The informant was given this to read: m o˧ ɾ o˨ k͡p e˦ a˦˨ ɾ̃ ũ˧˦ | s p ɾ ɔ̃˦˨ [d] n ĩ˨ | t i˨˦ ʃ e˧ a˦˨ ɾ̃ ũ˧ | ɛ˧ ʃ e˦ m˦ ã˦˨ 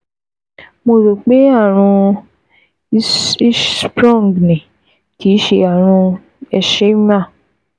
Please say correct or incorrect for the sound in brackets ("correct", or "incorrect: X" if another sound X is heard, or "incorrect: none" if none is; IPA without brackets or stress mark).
incorrect: ɡ